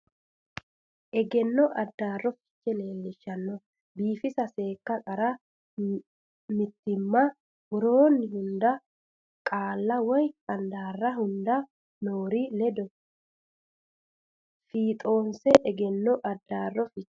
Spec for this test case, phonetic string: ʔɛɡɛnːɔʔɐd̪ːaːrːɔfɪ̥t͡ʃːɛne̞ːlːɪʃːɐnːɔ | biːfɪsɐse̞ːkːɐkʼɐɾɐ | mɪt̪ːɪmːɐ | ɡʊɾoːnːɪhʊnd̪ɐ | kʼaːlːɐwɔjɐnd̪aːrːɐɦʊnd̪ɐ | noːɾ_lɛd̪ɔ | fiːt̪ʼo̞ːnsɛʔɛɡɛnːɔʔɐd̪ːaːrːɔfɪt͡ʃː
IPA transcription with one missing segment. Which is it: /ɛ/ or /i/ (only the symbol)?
i